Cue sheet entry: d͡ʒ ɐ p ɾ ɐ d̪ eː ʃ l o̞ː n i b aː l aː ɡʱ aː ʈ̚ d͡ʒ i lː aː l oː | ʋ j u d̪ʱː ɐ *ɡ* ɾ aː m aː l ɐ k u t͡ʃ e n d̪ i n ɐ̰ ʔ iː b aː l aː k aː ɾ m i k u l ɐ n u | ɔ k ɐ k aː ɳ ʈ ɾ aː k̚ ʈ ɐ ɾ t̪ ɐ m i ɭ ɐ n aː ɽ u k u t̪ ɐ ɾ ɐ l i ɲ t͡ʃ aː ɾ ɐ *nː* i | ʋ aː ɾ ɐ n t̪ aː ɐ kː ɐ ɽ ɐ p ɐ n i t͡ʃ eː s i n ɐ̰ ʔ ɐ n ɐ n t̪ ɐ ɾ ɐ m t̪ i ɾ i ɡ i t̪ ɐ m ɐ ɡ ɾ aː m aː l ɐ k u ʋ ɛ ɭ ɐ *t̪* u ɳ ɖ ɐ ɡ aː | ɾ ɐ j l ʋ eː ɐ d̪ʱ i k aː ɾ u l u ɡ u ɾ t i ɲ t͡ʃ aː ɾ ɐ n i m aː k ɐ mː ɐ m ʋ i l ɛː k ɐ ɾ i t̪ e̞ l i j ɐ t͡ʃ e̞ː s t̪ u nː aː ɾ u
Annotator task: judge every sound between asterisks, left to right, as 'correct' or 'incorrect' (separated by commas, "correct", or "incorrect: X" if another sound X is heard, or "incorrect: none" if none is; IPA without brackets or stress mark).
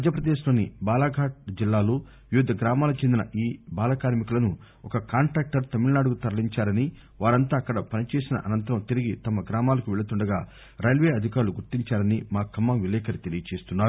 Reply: correct, incorrect: n, correct